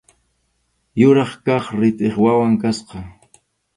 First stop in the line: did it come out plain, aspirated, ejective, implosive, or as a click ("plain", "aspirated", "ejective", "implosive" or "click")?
plain